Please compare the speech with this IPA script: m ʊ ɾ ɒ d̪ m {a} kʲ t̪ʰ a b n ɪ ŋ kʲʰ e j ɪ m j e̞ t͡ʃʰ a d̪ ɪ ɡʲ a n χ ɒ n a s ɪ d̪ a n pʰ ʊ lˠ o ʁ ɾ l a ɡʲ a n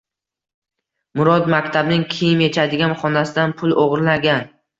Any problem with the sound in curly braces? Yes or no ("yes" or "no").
no